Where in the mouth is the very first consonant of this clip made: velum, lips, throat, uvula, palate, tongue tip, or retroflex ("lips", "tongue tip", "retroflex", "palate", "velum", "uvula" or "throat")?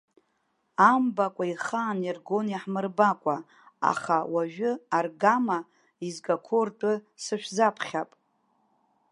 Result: lips